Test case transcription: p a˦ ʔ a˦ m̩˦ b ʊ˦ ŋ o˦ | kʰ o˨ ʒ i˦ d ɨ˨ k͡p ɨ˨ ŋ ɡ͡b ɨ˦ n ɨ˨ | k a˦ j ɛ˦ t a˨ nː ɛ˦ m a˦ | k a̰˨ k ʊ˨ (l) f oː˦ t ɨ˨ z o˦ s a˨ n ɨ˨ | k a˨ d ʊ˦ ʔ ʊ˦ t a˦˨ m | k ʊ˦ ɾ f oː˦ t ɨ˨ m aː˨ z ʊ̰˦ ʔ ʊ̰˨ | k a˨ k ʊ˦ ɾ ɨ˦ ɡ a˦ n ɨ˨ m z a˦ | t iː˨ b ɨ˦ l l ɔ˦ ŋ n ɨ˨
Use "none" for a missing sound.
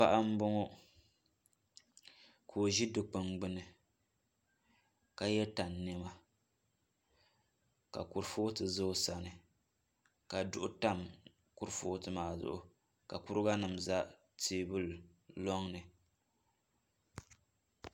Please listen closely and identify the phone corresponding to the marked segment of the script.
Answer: ɾ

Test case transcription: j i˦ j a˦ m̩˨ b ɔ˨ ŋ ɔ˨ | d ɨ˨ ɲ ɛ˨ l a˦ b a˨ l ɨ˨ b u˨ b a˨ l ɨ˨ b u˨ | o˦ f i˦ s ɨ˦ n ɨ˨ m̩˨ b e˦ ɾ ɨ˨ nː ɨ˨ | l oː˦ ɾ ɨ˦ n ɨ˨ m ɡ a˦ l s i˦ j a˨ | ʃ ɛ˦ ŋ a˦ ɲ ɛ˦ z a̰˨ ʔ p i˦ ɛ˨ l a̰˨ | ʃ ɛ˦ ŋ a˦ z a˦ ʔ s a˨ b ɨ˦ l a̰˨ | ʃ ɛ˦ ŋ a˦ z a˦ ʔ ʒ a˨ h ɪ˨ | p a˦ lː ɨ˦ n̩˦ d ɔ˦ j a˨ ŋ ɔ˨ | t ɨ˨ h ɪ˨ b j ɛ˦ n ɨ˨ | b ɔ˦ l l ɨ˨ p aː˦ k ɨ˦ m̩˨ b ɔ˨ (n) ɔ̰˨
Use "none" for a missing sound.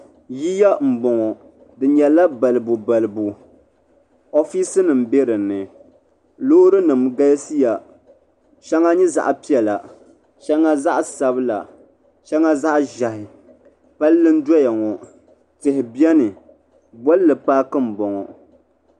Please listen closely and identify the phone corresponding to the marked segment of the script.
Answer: ŋ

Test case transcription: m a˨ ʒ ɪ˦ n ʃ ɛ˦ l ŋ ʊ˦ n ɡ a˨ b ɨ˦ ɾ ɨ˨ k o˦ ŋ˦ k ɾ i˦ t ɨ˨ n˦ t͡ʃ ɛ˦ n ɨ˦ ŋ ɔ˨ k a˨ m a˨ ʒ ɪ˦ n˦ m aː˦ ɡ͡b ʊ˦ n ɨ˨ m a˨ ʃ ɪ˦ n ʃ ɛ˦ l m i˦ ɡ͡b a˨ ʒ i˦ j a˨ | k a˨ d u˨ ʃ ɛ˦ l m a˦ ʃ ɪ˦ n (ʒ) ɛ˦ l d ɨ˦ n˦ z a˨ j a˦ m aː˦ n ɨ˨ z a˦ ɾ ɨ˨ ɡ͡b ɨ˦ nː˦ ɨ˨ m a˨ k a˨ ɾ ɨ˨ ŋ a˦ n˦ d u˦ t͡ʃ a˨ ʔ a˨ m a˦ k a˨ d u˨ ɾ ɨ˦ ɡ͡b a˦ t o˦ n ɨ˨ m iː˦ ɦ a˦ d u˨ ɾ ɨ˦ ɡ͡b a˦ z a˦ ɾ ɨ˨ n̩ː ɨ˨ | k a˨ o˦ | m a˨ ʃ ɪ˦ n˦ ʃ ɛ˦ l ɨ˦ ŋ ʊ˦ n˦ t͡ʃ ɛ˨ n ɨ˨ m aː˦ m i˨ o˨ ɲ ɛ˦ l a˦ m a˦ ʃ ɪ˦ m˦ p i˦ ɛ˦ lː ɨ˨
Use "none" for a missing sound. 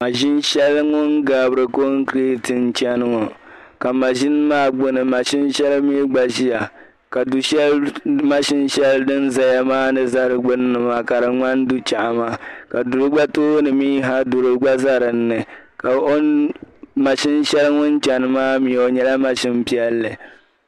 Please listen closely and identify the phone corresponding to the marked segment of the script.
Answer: ʃ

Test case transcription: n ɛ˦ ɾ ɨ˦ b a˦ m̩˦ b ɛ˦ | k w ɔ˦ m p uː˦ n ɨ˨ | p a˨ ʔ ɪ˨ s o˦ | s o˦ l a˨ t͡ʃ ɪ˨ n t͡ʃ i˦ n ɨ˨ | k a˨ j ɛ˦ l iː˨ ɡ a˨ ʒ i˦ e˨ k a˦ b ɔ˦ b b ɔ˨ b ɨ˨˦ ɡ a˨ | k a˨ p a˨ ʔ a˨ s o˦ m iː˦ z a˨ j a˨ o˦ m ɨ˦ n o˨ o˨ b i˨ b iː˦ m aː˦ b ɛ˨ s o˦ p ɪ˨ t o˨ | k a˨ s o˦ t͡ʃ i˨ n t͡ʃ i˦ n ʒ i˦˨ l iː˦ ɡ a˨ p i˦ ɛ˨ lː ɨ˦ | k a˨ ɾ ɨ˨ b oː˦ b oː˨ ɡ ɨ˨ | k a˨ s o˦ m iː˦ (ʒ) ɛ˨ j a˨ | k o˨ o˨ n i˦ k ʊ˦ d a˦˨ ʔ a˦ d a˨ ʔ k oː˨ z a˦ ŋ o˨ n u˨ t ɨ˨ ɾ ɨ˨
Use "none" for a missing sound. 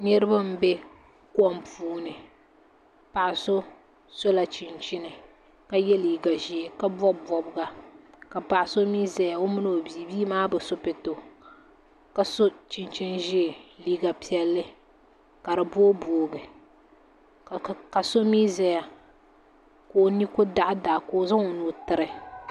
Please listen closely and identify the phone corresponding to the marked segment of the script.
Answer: z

